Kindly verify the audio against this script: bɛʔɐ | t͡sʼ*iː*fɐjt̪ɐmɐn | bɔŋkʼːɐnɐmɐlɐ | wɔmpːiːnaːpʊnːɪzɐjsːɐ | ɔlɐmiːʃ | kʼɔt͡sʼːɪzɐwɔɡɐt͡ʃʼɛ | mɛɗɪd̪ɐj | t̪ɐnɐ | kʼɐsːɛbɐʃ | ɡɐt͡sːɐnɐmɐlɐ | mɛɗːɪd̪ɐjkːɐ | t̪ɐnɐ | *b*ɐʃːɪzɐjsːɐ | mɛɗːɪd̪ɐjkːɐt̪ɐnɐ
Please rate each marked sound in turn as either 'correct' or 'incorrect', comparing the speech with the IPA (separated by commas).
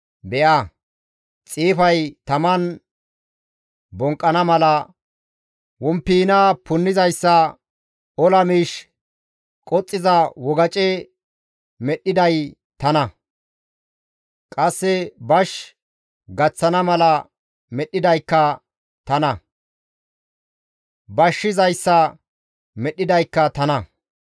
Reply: correct, correct